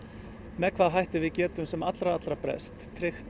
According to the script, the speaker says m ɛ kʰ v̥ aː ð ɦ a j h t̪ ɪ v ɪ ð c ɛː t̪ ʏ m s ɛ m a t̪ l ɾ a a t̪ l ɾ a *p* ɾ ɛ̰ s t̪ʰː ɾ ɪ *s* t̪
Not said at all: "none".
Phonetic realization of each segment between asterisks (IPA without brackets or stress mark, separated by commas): p, x